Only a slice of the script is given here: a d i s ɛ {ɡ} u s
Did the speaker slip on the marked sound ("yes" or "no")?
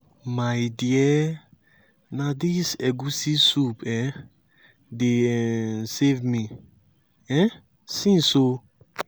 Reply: no